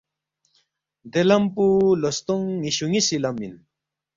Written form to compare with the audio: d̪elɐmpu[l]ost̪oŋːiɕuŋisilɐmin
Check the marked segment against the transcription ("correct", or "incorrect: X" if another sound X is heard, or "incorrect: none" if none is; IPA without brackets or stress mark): correct